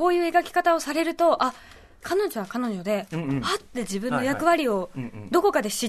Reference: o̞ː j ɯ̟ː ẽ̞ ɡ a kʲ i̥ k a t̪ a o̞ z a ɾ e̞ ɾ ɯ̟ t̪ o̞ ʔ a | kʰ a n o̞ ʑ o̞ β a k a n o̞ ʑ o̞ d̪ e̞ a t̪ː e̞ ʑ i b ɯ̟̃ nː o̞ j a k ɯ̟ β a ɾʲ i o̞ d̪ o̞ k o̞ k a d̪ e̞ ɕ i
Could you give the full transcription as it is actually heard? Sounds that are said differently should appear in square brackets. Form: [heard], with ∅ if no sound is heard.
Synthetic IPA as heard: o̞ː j ɯ̟ː [e̞] ɡ a kʲ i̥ k a t̪ a o̞ [s] a ɾ e̞ ɾ ɯ̟ t̪ o̞ ʔ a | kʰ a n o̞ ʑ o̞ β a k a n o̞ ʑ o̞ d̪ e̞ a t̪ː e̞ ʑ i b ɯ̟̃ nː o̞ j a k ɯ̟ β a ɾʲ i o̞ d̪ o̞ k o̞ k a d̪ e̞ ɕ i